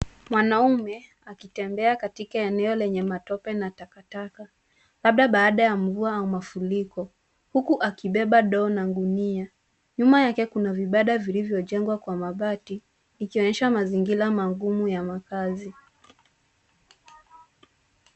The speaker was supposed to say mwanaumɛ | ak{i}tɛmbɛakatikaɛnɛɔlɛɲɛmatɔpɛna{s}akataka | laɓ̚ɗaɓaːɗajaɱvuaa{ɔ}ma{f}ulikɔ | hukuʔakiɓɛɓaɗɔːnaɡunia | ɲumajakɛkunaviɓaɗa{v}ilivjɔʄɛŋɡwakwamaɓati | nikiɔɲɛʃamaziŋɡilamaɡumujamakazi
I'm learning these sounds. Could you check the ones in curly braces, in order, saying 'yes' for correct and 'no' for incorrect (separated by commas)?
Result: yes, no, no, yes, yes